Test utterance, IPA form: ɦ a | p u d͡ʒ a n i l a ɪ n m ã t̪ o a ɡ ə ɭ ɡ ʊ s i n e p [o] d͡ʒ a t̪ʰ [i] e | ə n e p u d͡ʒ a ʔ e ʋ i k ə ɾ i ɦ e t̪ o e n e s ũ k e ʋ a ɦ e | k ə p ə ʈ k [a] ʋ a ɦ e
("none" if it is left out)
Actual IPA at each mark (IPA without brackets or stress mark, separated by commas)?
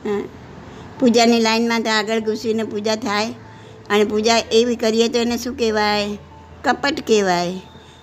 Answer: u, a, e